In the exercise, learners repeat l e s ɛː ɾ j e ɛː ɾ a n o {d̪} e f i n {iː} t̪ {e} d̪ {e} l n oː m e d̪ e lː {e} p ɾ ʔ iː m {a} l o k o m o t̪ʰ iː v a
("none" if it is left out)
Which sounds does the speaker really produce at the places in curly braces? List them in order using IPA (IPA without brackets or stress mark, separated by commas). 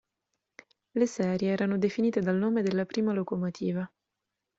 d̪, iː, e, a, a, a